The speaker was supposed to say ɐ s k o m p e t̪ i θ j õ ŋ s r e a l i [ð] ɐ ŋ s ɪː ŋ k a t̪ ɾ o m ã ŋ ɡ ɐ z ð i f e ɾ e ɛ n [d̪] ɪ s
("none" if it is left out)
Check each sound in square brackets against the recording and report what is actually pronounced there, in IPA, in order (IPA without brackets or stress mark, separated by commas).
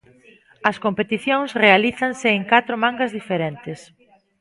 θ, t̪